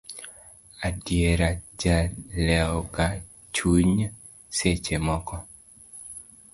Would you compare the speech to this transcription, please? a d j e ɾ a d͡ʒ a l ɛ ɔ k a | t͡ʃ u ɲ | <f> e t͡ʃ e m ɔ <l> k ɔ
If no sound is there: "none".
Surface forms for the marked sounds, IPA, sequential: s, none

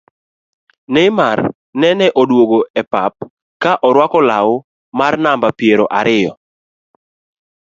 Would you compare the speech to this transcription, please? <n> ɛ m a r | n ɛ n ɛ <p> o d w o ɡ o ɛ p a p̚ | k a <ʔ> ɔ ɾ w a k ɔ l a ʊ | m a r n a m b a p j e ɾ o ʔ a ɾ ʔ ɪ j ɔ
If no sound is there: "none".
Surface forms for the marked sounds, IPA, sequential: n, ʔ, ʔ

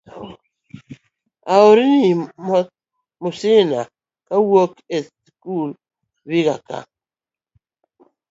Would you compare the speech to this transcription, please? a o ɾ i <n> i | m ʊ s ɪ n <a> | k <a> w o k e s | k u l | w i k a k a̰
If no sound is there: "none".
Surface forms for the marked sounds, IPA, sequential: n, a, a

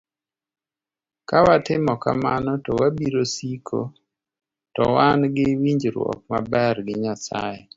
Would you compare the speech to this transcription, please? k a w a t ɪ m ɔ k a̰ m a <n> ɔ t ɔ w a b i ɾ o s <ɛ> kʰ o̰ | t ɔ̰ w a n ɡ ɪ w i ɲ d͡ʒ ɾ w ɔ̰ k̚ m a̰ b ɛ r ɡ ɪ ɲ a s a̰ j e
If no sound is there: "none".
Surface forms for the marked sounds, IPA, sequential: n, i

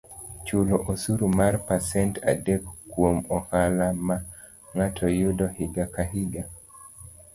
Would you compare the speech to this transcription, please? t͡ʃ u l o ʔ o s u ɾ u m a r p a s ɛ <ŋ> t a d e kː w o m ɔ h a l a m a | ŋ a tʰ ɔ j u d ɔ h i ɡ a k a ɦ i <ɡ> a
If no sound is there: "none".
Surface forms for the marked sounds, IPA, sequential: n, ɡ

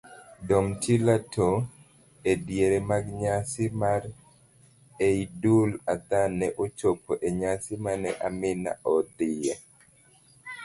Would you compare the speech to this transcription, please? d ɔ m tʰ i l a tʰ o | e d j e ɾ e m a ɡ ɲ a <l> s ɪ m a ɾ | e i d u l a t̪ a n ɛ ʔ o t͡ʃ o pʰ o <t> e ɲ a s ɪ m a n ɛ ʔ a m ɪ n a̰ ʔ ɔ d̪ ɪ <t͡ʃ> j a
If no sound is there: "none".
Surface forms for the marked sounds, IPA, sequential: none, ʔ, none

